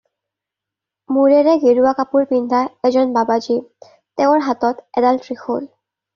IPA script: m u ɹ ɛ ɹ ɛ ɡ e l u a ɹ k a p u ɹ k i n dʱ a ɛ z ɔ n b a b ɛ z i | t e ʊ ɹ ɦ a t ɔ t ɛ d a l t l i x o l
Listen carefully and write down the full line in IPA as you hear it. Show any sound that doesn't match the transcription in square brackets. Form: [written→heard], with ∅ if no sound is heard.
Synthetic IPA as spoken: m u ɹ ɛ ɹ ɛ ɡ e [l→ɹ] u a [ɹ→∅] k a p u ɹ [k→p] i n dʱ a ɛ z ɔ n b a b [ɛ→a] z i | t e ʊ ɹ ɦ a t ɔ t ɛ d a l t [l→ɹ] i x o l